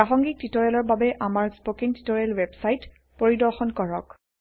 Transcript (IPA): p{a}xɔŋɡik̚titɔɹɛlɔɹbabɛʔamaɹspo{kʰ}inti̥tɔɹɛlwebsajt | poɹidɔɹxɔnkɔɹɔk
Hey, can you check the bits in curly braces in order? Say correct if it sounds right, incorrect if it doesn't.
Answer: correct, incorrect: k

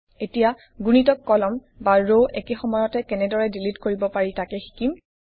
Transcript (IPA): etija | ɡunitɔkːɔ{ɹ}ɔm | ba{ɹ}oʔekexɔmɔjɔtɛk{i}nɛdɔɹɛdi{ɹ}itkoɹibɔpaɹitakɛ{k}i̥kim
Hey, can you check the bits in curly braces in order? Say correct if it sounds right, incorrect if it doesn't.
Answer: incorrect: l, correct, incorrect: ɛ, incorrect: l, incorrect: x

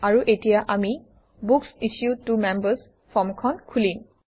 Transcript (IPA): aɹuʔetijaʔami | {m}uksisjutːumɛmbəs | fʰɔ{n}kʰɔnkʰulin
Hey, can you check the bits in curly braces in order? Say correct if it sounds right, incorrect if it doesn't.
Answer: incorrect: b, incorrect: m

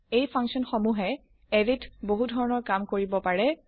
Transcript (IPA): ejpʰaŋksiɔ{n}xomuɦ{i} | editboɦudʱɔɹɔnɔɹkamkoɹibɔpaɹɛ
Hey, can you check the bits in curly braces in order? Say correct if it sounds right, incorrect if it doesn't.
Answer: correct, incorrect: ɛ

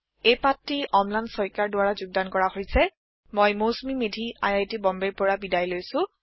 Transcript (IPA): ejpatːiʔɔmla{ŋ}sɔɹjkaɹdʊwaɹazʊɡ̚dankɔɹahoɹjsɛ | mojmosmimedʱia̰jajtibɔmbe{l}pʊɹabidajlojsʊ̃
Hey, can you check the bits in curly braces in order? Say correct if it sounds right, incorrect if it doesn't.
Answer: incorrect: n, incorrect: ɹ

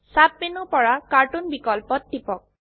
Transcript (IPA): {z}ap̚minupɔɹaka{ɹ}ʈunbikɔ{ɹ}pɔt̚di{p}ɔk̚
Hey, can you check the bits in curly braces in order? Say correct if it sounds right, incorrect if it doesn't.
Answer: incorrect: s, correct, incorrect: l, correct

